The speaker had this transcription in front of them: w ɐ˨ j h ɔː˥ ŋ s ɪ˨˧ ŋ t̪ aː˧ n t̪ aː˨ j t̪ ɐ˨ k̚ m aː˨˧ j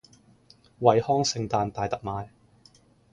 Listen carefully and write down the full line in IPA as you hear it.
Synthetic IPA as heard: w ɐ˨ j h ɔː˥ ŋ s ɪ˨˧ ŋ t̪ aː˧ n t̪ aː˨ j t̪ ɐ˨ k̚ m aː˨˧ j